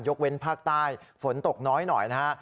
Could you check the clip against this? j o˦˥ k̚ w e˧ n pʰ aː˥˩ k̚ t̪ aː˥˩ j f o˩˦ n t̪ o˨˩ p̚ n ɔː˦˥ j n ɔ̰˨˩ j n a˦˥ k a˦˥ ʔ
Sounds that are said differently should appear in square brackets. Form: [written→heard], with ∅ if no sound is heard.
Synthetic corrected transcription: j o˦˥ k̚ w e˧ n pʰ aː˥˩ k̚ t̪ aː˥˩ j f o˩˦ n t̪ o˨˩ [p̚→k̚] n ɔː˦˥ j n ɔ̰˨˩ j n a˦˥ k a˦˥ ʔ